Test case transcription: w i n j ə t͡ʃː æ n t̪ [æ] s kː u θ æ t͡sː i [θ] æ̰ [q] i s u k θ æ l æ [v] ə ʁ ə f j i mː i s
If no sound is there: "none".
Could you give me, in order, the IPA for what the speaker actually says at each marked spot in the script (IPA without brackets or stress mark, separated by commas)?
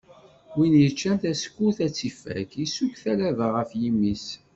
æ, f, k, v